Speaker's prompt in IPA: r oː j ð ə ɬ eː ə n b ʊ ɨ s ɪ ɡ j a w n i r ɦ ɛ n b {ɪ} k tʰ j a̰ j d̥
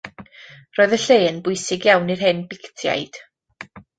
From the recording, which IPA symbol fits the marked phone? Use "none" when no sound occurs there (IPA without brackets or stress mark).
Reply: ɪ